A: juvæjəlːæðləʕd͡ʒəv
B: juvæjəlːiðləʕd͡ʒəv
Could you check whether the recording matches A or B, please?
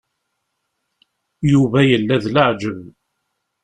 A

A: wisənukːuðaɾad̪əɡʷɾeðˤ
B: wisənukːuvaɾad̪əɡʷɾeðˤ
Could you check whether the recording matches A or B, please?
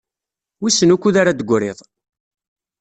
A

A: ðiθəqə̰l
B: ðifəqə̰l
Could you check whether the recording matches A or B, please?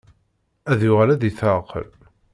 A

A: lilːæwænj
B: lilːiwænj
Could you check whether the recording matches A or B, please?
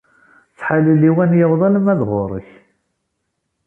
B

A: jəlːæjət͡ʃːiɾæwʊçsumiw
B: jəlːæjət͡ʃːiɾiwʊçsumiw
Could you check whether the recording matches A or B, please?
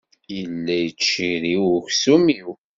B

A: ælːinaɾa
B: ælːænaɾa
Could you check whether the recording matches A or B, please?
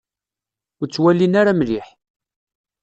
A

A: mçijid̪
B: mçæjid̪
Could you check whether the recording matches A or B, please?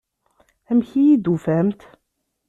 A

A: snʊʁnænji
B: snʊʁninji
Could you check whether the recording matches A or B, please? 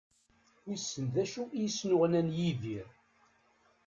A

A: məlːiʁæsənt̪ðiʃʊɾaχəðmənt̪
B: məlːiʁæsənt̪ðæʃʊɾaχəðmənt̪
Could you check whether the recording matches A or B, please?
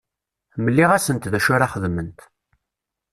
B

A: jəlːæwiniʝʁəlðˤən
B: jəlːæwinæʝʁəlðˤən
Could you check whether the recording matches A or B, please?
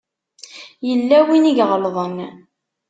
A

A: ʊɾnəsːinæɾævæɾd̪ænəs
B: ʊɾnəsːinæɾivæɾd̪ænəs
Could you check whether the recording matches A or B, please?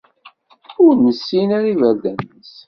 B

